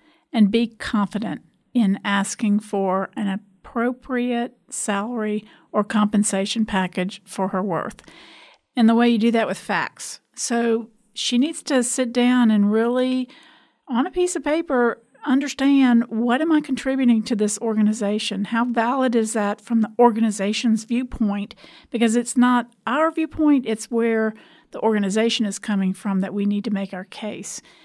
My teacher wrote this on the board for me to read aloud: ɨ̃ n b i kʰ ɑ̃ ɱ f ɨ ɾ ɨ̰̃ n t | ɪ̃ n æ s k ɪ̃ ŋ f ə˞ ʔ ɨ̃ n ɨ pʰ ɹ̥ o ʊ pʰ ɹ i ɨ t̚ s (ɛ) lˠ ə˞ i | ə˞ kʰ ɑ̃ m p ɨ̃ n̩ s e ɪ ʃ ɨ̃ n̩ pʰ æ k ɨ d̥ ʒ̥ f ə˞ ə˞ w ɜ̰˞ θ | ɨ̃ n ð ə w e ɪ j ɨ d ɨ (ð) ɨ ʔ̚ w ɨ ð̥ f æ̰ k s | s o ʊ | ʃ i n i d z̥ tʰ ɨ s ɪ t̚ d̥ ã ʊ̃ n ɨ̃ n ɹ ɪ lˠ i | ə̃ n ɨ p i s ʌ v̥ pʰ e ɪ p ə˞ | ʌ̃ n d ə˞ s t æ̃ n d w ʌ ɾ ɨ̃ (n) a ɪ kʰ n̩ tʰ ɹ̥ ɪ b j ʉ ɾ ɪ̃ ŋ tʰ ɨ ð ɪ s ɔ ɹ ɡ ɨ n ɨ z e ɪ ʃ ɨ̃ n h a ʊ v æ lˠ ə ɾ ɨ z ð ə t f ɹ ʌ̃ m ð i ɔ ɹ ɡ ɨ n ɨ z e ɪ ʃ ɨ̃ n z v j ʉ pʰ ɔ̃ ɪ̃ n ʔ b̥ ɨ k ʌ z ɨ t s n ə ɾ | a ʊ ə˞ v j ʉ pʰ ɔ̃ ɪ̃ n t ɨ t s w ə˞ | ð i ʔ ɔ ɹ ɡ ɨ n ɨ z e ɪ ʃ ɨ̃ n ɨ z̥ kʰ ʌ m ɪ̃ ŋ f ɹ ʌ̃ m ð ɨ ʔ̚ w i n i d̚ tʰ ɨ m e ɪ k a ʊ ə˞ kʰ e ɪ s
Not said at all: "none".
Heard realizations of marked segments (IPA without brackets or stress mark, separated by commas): æ, ð, m